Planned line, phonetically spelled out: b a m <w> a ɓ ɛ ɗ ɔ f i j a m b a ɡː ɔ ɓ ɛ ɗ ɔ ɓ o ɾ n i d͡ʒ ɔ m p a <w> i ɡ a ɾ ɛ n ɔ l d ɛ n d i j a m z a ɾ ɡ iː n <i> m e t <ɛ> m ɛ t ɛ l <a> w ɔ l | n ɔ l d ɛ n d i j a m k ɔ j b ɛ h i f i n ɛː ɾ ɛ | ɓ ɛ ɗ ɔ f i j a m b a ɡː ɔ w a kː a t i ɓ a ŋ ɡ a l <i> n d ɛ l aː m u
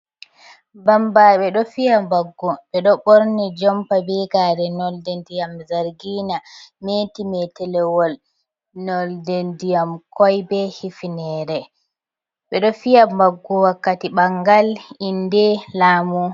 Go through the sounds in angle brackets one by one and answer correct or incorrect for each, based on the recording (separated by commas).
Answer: incorrect, incorrect, incorrect, incorrect, incorrect, correct